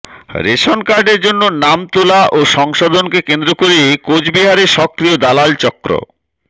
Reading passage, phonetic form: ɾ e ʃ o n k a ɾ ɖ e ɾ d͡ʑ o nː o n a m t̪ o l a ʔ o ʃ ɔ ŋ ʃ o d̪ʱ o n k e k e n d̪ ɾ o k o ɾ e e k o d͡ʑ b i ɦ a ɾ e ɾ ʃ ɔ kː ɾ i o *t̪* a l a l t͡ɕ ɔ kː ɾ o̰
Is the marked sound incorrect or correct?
incorrect